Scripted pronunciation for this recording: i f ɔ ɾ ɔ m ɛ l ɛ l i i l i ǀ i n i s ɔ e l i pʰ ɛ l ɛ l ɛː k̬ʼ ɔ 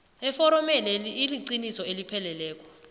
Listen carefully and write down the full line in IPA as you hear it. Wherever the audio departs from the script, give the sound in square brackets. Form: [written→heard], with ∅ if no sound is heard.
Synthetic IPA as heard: [i→ɛ] f ɔ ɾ ɔ m ɛ l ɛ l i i l i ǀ i n i s ɔ e l i pʰ ɛ l ɛ l ɛː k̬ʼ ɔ